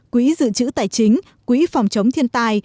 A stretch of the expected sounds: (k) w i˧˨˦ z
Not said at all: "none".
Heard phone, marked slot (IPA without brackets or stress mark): k